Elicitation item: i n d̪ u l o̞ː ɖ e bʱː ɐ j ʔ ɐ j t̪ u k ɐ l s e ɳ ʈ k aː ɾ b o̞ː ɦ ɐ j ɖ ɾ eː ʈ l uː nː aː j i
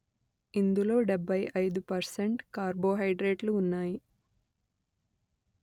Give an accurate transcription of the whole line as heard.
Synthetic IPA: i n d̪ u l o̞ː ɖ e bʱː ɐ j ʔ ɐ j d̪ u p ɐ ɾ s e ɳ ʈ k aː ɾ b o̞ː ɦ ɐ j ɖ ɾ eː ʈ l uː nː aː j i